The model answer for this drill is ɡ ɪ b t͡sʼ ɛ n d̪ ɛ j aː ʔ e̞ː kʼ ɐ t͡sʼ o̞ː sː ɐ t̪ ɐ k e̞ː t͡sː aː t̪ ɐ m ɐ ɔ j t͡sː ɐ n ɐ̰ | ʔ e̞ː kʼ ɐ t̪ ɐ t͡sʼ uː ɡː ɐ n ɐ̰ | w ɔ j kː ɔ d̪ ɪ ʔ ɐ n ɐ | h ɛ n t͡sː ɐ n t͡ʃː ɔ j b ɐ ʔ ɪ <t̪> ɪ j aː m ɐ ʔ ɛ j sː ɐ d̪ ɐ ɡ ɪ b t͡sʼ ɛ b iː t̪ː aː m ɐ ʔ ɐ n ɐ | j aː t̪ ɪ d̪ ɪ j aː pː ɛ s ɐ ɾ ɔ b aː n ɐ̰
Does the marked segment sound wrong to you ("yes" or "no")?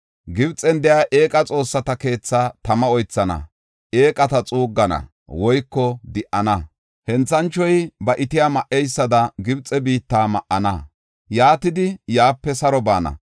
no